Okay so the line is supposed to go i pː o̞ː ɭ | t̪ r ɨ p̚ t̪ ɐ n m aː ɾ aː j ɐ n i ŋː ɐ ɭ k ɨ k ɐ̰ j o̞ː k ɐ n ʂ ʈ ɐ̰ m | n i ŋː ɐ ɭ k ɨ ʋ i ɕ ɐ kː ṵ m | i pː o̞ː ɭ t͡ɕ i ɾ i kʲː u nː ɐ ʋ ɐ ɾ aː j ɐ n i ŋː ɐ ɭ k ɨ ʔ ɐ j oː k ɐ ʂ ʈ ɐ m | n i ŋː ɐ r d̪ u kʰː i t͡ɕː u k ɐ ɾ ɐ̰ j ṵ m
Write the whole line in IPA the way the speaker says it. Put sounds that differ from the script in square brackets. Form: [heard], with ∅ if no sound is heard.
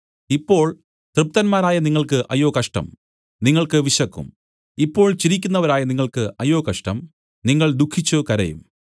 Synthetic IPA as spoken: i pː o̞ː ɭ | t̪ r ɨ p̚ t̪ ɐ n m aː ɾ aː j ɐ n i ŋː ɐ ɭ k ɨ [ʔ] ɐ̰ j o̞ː k ɐ [∅] ʂ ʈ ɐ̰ m | n i ŋː ɐ ɭ k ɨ ʋ i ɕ ɐ kː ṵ m | i pː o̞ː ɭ t͡ɕ i ɾ i kʲː u nː ɐ ʋ ɐ ɾ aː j ɐ n i ŋː ɐ ɭ k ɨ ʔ ɐ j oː k ɐ ʂ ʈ ɐ m | n i ŋː ɐ [ɭ] d̪ u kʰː i t͡ɕː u k ɐ ɾ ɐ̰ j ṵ m